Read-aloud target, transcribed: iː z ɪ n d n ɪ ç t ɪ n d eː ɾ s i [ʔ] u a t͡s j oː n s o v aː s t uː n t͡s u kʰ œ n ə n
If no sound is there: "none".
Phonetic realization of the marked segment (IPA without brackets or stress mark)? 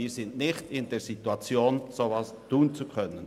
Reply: t